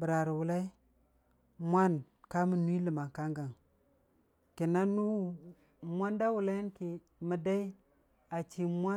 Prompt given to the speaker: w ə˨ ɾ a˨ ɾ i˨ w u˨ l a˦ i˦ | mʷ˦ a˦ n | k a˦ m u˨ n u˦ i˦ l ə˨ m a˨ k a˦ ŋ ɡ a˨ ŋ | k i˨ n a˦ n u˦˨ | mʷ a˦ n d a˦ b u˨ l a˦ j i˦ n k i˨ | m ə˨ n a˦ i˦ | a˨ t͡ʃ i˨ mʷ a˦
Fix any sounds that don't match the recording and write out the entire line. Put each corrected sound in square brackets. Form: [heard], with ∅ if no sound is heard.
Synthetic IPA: [b] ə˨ ɾ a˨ ɾ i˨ w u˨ l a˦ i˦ | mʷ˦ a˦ n | k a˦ m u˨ n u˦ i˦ l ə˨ m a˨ k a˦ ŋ ɡ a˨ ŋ | k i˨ n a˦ n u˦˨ | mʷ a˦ n d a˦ [w] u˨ l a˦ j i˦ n k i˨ | m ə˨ [d] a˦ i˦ | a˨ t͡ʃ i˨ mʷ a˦

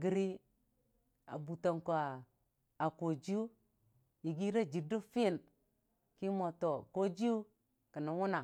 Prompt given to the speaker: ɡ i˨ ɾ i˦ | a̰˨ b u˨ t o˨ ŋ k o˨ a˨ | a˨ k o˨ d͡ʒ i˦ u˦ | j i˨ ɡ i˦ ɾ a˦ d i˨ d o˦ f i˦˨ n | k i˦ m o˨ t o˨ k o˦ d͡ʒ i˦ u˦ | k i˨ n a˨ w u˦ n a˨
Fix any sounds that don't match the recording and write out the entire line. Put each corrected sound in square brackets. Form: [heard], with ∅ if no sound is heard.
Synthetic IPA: ɡ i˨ ɾ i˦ | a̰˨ b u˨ t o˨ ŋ k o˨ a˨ | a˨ k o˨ d͡ʒ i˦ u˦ | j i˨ ɡ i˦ ɾ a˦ [d͡ʒ] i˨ d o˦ f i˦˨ n | k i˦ m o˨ t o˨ k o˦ d͡ʒ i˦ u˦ | k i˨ n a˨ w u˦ n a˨

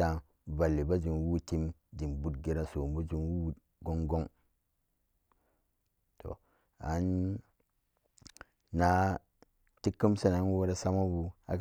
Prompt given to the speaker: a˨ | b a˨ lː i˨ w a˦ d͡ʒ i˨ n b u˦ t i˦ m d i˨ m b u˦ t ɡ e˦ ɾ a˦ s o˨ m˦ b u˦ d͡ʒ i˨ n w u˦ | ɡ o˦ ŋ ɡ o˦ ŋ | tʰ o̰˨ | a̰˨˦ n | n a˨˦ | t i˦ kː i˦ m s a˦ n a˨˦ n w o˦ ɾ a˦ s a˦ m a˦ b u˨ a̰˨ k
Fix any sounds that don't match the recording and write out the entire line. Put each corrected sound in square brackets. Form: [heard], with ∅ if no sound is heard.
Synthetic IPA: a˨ | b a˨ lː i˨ [b] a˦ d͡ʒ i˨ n [w] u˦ t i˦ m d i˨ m b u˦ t ɡ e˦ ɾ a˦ s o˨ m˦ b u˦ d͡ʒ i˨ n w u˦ | ɡ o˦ ŋ ɡ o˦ ŋ | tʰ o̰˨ | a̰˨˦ n | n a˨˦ | t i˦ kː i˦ m s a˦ n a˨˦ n w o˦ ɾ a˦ s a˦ m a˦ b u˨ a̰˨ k

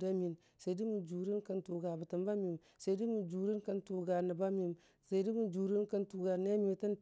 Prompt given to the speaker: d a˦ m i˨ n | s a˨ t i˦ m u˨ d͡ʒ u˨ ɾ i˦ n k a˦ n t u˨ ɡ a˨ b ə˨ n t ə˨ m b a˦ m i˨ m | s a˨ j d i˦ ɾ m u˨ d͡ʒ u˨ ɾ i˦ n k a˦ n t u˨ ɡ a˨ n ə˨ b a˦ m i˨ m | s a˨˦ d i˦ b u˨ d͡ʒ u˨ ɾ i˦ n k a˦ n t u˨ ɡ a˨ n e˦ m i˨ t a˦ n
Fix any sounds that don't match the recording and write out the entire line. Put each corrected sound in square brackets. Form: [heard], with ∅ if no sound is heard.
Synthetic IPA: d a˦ m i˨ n | s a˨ [d] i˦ m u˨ d͡ʒ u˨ ɾ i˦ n k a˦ n t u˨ ɡ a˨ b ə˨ [∅] t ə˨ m b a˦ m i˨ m | s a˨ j d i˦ [∅] m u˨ d͡ʒ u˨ ɾ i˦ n k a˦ n t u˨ ɡ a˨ n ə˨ b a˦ m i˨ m | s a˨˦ d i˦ [m] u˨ d͡ʒ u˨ ɾ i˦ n k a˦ n t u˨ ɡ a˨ n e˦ m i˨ t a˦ n

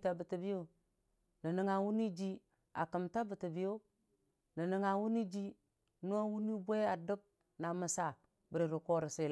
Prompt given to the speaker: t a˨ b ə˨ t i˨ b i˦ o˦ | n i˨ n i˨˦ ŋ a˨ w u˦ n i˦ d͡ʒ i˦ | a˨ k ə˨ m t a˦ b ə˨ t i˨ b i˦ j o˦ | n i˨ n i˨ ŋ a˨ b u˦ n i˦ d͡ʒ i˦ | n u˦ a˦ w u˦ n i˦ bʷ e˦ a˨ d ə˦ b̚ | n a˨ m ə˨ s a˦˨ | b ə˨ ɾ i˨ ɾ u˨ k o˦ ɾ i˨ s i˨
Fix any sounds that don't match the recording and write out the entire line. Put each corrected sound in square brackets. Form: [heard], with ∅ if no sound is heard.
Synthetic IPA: t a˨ b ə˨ t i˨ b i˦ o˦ | n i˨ n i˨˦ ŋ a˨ w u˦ n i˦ d͡ʒ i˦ | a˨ k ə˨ m t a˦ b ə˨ t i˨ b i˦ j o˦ | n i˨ n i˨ ŋ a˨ [w] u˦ n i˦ d͡ʒ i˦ | n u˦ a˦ w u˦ n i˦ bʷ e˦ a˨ d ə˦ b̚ | n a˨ m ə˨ s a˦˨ | b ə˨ ɾ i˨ ɾ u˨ k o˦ ɾ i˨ s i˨

